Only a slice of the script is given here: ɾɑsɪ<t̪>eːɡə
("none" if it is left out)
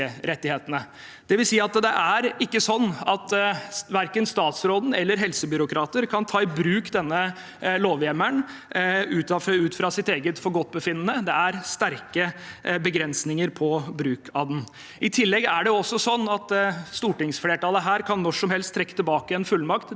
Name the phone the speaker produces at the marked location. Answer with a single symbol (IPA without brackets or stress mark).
t̪